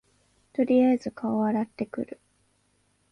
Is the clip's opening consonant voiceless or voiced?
voiceless